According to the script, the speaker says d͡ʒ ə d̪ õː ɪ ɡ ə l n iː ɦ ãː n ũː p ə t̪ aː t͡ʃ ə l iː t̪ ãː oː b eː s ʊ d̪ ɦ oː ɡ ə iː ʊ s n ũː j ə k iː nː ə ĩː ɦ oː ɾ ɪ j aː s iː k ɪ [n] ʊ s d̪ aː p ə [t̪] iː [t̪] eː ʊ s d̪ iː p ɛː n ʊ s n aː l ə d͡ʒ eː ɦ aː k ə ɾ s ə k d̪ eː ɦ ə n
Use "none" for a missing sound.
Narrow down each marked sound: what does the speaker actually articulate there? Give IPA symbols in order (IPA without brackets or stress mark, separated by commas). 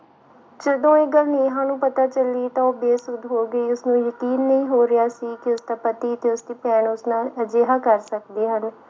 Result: none, t̪, t̪